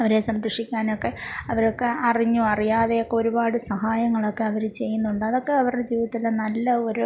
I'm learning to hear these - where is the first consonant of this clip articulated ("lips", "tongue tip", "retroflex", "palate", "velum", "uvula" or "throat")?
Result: lips